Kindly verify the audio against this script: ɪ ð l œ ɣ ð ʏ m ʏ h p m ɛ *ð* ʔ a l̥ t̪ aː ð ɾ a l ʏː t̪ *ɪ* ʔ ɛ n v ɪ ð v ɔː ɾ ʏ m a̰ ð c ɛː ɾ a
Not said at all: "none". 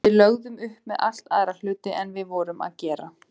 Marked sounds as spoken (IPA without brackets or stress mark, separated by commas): ð, ɪ